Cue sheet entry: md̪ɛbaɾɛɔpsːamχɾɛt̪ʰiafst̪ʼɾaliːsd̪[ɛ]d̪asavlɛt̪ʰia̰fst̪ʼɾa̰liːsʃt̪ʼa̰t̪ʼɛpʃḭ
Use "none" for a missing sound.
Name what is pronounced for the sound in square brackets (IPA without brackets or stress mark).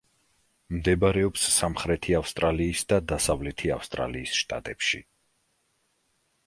a